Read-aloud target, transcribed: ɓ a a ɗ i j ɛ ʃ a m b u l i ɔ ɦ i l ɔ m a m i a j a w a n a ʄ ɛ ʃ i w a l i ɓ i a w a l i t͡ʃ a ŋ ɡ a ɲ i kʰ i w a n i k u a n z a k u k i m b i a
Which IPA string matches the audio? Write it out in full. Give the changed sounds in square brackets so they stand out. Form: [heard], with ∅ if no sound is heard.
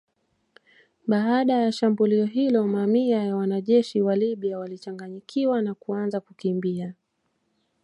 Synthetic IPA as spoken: ɓ a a ɗ [a] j [a] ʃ a m b u l i ɔ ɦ i l ɔ m a m i a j a w a n a ʄ ɛ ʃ i w a l i ɓ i a w a l i t͡ʃ a ŋ ɡ a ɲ i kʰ i w a n [a] k u a n z a k u k i m b i a